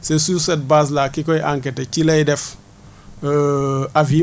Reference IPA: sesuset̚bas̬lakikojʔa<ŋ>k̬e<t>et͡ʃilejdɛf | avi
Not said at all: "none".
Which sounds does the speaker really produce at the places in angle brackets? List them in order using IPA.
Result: ŋ, t

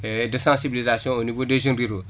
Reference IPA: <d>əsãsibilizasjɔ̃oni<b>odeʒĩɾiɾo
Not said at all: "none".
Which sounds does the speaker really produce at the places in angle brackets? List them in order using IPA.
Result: d, v

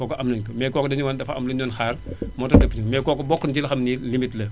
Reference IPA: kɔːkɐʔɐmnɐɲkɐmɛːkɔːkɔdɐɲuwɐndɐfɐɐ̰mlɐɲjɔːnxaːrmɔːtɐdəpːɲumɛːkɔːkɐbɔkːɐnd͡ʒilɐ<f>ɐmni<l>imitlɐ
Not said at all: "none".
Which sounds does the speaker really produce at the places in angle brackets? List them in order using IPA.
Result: x, l

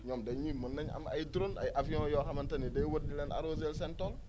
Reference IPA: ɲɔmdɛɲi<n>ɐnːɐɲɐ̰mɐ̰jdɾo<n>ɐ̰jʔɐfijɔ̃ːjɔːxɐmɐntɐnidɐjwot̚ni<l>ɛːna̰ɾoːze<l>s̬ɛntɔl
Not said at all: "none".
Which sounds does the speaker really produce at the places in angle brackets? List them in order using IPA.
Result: m, n, l, l

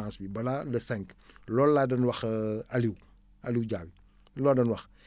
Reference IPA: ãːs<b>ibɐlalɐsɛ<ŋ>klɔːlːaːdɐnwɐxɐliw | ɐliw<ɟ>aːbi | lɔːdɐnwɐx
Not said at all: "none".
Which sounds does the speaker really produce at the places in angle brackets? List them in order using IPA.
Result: b, ŋ, ɟ

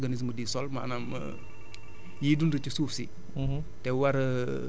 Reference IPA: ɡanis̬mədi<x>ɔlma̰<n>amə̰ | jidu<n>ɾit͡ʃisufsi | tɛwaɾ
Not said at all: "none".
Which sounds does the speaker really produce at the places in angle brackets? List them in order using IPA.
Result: s, n, n

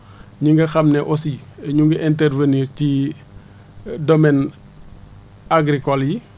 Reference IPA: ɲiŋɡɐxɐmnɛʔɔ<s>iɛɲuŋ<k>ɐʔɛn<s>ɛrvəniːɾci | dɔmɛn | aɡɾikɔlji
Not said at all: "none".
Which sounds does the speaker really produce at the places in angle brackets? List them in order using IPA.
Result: s, ɡ, t

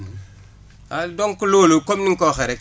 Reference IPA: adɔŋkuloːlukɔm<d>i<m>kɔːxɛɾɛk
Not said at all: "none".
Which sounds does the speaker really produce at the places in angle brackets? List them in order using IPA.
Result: n, ŋ

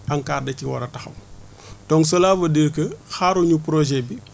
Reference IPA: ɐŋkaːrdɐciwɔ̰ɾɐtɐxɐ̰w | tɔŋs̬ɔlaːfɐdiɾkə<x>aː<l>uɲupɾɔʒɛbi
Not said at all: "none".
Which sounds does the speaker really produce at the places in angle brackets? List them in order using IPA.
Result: x, ɾ

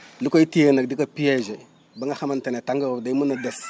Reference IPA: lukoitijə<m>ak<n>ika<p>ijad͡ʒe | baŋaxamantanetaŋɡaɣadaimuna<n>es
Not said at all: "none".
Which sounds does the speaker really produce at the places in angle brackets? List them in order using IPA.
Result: n, d, p, d

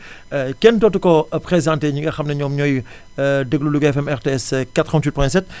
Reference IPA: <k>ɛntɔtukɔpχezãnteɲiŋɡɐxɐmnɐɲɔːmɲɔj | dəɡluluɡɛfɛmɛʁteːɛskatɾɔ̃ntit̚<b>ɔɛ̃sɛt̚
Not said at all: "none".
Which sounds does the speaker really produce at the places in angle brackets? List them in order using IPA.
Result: k, p

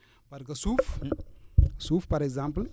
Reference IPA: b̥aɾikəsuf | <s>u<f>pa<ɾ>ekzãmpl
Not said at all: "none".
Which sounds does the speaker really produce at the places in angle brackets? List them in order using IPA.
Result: s, f, ɾ

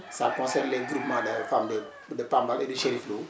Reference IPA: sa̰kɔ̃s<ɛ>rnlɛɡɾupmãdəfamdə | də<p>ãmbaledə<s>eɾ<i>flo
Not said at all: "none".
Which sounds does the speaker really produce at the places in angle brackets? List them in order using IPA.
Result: ɛ, p, ʃ, i

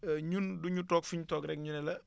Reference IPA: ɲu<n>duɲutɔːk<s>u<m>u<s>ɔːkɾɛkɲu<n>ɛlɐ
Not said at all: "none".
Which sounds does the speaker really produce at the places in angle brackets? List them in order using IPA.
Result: n, f, ɲ, t, n

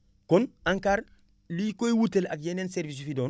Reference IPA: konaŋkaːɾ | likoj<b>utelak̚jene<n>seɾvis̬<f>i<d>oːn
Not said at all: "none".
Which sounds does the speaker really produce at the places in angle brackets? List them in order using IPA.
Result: w, n, f, d

